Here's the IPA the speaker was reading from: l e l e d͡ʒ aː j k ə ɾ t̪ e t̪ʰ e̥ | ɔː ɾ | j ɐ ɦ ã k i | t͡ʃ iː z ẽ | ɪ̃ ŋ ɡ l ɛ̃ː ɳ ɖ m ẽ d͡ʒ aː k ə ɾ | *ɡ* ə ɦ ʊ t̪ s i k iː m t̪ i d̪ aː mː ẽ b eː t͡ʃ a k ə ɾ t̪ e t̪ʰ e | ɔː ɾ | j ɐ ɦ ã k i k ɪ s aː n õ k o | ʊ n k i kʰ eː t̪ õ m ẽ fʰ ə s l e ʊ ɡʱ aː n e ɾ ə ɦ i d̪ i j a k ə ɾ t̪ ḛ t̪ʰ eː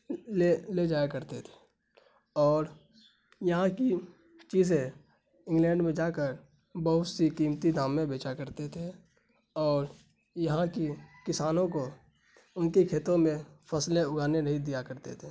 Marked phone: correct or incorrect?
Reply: incorrect